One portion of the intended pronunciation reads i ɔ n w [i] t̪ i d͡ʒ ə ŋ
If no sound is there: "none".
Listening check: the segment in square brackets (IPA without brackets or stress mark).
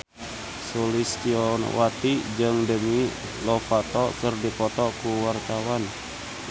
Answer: a